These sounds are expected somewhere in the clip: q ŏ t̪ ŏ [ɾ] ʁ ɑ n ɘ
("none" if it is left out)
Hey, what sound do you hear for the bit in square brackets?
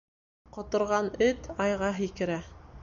ɾ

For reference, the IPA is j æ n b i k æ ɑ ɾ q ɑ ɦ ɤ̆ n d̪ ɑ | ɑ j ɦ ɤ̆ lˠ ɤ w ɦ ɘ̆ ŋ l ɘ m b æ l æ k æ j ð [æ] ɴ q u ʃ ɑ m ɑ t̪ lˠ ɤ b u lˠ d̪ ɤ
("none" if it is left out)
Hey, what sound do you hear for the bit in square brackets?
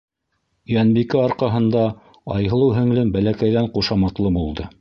æ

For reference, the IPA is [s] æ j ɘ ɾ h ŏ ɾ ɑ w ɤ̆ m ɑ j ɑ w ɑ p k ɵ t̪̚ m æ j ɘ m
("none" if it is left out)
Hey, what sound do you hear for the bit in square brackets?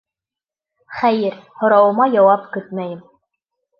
χ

